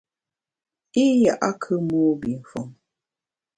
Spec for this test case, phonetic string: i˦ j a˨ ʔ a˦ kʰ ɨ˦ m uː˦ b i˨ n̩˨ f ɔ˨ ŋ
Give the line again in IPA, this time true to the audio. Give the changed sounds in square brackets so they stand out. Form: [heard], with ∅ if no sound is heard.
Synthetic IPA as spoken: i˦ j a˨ ʔ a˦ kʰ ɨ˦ m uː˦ b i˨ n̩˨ f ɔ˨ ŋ

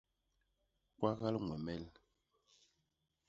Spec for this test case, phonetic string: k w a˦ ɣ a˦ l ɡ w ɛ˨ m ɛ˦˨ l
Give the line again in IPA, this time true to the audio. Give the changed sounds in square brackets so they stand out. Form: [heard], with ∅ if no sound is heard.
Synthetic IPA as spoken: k w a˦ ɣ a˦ l [ŋ] w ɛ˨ m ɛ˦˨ l

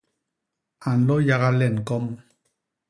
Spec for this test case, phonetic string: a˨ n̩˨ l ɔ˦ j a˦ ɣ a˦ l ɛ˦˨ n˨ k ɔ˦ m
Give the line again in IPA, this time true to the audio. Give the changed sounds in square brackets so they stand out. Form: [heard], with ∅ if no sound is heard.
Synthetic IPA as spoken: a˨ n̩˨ l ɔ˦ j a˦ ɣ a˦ l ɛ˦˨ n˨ k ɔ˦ m

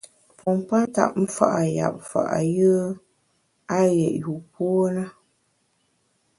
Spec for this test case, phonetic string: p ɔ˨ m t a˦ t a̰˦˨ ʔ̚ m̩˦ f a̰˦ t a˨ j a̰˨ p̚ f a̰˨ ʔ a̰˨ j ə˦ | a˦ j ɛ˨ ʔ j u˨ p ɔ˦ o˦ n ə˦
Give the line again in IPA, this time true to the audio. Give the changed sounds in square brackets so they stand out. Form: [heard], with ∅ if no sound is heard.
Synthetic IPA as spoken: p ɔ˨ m [p] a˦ t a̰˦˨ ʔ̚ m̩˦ f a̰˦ [ʔ] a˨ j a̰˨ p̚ f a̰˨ ʔ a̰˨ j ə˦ | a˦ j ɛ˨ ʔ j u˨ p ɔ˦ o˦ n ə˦

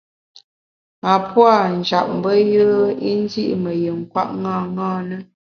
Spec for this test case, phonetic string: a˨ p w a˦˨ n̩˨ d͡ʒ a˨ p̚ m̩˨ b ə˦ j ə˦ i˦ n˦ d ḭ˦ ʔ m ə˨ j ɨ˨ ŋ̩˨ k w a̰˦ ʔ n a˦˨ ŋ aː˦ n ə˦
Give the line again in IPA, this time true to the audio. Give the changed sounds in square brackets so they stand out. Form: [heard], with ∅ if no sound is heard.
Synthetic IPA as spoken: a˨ p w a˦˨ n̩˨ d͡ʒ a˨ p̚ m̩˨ b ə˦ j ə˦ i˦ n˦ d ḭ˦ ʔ m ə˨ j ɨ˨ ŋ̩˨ k w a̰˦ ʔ [ŋ] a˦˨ ŋ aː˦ n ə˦

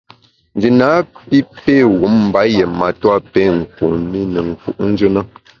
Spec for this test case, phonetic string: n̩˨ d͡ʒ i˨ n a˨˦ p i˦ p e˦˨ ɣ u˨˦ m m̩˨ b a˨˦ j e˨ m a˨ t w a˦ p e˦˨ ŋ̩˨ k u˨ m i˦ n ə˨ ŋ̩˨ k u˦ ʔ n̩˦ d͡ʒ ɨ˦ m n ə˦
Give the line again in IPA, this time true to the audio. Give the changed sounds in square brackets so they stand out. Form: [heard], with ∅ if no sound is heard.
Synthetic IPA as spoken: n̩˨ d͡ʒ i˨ n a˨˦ p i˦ p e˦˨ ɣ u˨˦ m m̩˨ b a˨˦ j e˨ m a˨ t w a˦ p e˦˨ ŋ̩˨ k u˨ m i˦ n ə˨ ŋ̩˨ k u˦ ʔ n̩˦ d͡ʒ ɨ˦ [∅] n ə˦

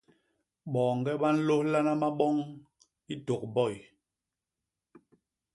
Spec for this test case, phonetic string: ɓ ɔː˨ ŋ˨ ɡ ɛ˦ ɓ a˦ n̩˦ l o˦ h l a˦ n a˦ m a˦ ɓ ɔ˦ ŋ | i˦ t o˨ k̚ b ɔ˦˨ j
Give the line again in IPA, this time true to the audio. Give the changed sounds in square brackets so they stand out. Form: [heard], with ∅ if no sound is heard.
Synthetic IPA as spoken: ɓ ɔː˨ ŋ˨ ɡ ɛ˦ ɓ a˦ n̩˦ l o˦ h l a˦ n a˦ m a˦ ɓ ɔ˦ ŋ | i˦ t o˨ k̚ b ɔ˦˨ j

